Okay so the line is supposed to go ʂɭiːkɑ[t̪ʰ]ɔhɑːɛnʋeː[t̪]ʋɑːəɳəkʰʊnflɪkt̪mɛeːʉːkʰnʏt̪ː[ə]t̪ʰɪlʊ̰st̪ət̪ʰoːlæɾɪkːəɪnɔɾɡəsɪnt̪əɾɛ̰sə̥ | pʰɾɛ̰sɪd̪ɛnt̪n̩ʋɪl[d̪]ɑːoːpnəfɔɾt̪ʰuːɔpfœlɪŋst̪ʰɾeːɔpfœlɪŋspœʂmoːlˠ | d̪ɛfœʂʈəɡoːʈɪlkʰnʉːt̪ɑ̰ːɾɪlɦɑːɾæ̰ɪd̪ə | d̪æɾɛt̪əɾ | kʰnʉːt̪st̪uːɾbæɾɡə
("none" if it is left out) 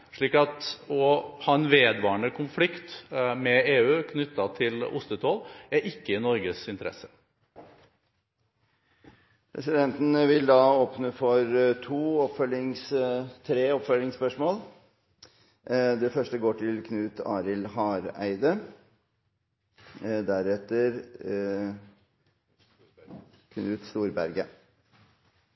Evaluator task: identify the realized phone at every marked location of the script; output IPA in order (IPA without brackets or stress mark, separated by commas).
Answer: t̪, d̪, ɑ, d̪